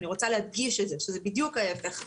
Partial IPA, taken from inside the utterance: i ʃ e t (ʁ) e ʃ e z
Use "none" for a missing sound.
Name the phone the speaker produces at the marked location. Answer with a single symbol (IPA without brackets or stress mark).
z